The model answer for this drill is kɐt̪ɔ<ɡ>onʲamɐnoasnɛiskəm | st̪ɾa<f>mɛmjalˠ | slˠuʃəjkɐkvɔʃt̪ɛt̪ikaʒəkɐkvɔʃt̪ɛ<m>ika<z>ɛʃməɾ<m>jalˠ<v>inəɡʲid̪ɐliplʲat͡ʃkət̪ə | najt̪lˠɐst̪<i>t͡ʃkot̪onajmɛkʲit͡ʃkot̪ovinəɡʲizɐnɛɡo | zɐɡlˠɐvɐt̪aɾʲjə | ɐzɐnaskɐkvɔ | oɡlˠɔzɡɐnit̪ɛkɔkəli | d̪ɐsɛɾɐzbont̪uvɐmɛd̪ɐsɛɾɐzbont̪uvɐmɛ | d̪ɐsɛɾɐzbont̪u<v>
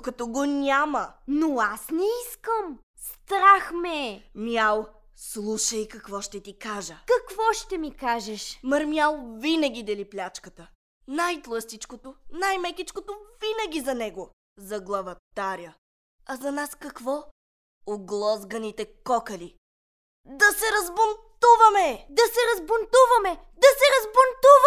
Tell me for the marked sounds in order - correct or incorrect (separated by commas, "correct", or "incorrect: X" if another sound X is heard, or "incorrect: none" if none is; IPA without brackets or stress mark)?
correct, incorrect: x, correct, incorrect: ʒ, correct, correct, correct, correct